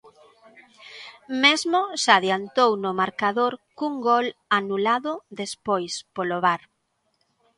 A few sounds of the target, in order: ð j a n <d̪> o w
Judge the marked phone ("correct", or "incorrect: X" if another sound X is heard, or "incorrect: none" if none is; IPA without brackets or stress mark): incorrect: t̪